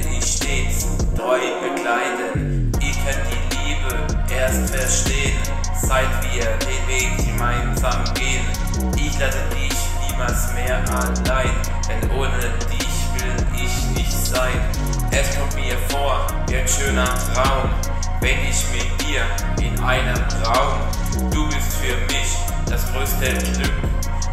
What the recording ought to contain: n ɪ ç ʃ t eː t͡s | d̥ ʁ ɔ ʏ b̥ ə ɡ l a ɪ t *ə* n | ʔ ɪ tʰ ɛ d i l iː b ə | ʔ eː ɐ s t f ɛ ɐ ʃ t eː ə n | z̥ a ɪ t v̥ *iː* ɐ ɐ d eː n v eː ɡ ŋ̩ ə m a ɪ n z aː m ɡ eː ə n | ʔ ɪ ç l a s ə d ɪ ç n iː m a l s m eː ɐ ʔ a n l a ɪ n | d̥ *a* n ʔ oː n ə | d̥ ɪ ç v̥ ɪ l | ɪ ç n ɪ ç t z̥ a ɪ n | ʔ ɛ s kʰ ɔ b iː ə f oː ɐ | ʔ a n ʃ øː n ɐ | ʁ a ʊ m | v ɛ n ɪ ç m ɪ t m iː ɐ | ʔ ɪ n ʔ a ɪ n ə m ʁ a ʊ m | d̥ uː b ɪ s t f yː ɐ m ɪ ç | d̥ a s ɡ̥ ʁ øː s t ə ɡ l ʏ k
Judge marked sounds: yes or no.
yes, yes, no

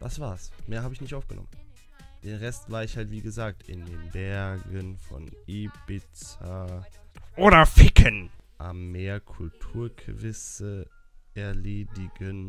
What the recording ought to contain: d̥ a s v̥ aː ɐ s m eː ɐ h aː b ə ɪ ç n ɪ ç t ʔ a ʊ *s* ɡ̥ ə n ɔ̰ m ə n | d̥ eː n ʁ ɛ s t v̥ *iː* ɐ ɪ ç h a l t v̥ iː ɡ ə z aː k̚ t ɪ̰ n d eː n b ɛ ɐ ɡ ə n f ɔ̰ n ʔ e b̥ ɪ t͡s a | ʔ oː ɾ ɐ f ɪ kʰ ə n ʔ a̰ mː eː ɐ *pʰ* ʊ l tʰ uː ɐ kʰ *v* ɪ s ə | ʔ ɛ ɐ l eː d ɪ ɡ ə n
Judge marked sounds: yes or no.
no, no, no, yes

